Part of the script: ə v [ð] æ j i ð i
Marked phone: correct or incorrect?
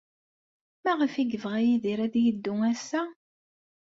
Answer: incorrect